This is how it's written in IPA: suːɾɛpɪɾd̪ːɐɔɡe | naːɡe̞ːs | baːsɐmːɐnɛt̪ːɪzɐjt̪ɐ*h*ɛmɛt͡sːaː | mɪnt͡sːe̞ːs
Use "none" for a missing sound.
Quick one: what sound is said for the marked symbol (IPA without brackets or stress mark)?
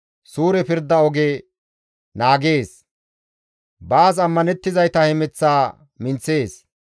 h